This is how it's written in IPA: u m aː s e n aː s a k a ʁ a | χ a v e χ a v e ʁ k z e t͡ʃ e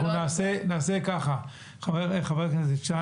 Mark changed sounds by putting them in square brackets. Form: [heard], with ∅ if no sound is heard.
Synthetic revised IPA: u [n] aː s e n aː s [e] k a [χ] a | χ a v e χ a v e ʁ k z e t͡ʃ [a]